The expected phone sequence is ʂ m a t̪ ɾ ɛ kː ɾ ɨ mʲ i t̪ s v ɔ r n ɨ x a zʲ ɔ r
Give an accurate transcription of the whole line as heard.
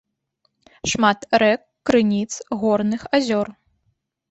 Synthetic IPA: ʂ m a t̪ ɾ ɛ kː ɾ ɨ nʲ i t̪ s ɣ ɔ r n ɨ x a zʲ ɔ r